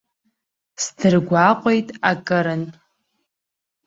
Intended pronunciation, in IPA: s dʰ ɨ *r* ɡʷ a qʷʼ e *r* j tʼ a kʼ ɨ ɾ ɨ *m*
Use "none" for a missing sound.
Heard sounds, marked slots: r, none, n

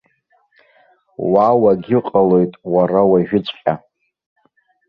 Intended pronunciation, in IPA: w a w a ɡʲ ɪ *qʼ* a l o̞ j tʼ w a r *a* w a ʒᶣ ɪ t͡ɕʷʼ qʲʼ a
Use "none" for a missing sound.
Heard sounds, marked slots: qʼ, a

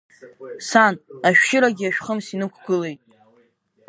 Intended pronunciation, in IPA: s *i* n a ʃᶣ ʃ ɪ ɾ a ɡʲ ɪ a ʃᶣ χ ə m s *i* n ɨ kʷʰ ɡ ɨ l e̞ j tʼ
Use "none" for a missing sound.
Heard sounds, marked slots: a, i

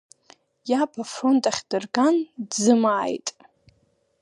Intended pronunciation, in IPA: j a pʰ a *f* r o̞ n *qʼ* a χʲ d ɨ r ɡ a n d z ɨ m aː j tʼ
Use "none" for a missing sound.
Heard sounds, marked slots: f, tʼ

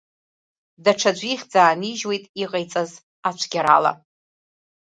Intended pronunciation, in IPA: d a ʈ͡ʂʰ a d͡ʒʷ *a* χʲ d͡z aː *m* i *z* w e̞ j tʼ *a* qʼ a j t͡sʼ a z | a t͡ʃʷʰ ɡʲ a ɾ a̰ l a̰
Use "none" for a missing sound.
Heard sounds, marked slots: i, n, ʒ, i

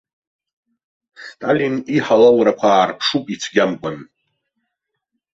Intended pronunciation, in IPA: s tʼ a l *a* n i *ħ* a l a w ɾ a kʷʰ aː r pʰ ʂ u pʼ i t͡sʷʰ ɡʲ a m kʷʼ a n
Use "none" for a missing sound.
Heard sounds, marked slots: i, ħ

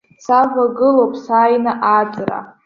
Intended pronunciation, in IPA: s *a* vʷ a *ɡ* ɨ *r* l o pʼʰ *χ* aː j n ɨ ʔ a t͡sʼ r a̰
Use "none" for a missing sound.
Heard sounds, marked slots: a, ɡ, none, s

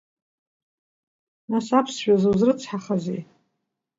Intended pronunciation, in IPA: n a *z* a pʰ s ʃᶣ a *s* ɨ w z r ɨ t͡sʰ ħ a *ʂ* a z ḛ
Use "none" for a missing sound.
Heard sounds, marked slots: s, z, χ

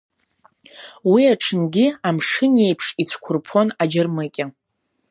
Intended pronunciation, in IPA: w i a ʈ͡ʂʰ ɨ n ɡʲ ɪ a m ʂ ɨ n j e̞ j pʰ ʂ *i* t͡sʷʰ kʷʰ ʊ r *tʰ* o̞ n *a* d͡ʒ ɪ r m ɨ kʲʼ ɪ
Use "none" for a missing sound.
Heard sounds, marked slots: i, pʰ, a

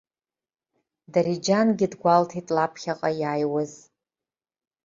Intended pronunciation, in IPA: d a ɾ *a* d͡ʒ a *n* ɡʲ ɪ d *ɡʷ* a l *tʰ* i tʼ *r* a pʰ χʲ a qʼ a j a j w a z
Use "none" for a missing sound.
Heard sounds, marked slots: i, n, ɡʷ, tʰ, l

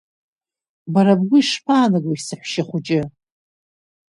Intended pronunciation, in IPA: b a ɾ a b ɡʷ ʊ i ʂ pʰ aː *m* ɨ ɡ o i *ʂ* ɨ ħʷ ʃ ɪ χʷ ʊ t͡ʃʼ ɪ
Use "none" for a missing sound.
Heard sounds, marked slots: n, s

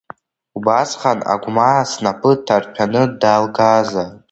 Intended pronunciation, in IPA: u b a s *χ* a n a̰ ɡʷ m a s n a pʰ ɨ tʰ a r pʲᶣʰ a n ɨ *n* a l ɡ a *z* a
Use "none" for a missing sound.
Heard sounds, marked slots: χ, d, z

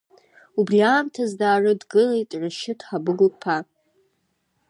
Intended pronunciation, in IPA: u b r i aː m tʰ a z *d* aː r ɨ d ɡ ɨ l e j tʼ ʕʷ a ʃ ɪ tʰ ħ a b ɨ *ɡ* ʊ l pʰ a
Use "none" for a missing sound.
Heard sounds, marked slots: d, ɡ

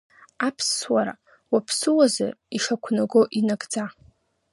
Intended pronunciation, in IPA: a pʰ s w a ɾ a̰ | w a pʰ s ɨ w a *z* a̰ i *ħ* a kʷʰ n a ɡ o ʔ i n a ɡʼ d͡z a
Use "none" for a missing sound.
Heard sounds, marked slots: z, ʂ

